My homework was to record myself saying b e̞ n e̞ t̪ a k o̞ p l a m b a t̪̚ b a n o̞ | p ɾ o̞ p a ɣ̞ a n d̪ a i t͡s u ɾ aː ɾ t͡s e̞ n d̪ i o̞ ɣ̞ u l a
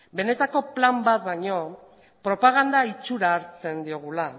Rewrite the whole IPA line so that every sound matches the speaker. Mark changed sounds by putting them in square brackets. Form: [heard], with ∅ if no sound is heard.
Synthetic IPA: b e̞ n e̞ t̪ a k o̞ p l a m b a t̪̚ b a [ɲ] o̞ | p ɾ o̞ p a ɣ̞ a n d̪ a i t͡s u ɾ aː ɾ t͡s e̞ n d̪ i o̞ ɣ̞ u l a